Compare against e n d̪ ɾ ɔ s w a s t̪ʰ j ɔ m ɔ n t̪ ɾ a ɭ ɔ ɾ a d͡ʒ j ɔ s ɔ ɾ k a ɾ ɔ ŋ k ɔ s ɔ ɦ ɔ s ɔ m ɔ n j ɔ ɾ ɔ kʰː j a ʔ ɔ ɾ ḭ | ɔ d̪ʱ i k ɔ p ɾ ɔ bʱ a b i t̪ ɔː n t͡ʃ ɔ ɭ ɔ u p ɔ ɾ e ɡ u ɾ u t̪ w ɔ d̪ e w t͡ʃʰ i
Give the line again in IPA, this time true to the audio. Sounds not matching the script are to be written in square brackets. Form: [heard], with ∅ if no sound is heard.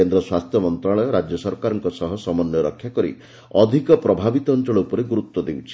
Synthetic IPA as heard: e n d̪ ɾ ɔ s w a s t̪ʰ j ɔ m ɔ n t̪ ɾ a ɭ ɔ ɾ a d͡ʒ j ɔ s ɔ ɾ k a ɾ ɔ ŋ k ɔ s ɔ ɦ ɔ s ɔ m ɔ n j ɔ ɾ ɔ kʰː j a [k] ɔ ɾ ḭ | ɔ d̪ʱ i k ɔ p ɾ ɔ bʱ a b i t̪ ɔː n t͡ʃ ɔ ɭ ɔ u p ɔ ɾ e ɡ u ɾ u t̪ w ɔ d̪ e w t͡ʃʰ i